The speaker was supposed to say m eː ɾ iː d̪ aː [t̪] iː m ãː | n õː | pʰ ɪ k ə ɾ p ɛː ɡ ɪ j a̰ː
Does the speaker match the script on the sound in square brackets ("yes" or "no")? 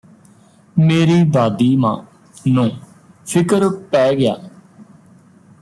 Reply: no